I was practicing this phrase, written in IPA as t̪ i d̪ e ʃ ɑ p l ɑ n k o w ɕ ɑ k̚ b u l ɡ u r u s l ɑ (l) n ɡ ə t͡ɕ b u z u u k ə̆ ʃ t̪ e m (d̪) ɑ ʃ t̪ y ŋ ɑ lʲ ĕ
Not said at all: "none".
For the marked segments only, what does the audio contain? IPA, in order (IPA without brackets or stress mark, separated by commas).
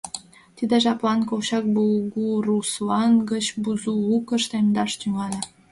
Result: none, d̪